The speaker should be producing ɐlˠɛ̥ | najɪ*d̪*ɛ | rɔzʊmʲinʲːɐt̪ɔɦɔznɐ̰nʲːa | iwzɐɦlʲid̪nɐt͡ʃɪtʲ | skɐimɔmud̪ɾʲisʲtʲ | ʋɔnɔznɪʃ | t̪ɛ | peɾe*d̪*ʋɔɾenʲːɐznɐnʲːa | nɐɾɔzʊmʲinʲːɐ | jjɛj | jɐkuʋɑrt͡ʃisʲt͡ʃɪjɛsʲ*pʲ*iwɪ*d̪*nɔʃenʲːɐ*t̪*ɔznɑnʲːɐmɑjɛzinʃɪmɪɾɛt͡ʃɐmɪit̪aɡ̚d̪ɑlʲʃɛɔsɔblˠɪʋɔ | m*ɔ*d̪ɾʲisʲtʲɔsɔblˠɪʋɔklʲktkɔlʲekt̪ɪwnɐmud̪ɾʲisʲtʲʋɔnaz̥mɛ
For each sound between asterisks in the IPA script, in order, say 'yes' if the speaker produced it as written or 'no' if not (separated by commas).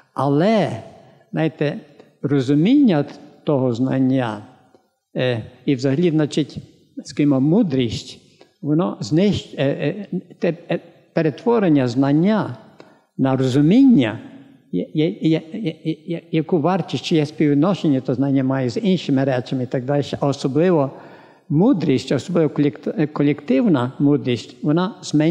no, no, yes, yes, yes, no